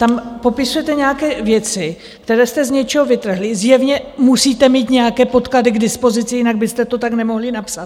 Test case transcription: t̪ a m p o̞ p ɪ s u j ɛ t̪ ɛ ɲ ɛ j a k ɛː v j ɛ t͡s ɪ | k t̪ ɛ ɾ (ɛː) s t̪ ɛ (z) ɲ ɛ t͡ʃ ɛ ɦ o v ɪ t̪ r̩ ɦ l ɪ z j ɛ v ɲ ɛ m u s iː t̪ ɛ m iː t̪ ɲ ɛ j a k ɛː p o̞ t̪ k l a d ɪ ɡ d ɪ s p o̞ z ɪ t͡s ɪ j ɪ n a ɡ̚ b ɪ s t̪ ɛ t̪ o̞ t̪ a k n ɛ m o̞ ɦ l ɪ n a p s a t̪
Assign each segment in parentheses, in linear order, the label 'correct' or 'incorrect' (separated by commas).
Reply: correct, correct